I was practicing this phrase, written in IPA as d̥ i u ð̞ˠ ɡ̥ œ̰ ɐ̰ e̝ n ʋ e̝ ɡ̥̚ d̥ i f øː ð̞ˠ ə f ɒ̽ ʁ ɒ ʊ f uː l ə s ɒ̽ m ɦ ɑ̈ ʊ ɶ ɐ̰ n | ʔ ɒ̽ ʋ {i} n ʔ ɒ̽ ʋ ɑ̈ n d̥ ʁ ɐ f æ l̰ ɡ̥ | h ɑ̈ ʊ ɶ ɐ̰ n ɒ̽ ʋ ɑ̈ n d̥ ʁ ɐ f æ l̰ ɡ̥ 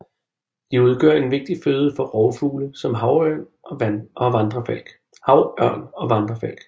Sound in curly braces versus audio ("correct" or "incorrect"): incorrect